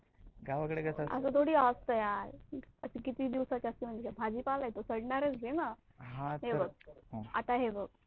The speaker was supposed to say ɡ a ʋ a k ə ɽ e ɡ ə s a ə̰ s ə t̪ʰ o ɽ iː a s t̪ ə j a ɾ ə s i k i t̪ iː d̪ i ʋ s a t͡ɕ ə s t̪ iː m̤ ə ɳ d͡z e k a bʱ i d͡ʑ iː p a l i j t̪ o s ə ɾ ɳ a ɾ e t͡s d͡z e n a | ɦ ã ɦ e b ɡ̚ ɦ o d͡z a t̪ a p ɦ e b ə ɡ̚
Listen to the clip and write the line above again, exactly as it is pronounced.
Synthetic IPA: ɡ a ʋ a k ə ɽ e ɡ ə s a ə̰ s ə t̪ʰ o ɽ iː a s t̪ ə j a ɾ ə s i k i t̪ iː d̪ i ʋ s a t͡ɕ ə s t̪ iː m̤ ə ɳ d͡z e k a bʱ a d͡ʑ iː p a l a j t̪ o s ə ɽ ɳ a ɾ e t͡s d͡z e n a | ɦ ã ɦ e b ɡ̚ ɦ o a t̪ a ɦ e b ə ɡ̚